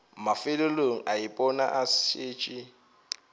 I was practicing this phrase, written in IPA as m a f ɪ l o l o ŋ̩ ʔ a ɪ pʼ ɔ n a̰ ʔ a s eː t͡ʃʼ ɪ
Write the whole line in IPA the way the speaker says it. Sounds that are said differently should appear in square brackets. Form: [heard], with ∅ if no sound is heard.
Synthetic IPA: m a f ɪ l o l o ŋ̩ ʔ a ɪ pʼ ɔ n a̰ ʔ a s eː t͡ʃʼ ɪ